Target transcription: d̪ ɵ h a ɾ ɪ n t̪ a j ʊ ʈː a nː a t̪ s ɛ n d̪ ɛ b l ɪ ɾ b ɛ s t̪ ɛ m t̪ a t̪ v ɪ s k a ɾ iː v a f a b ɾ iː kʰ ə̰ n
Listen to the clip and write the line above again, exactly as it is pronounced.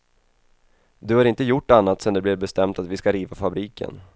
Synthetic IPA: d̪ ɵ h a ɾ ɪ n t̪ ə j ʊ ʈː a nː a t̪ s ɛ n d̪ ɛ b l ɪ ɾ b ɛ s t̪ ɛ m t̪ a t̪ v ɪ s k a ɾ iː v a f a b ɾ iː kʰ ə̰ n